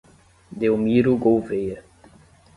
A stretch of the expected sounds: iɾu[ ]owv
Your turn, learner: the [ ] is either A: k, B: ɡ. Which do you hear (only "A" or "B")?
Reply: B